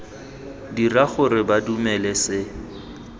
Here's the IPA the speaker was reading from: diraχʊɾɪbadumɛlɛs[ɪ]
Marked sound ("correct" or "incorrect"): correct